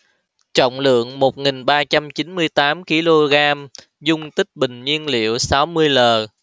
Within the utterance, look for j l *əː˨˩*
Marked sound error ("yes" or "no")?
no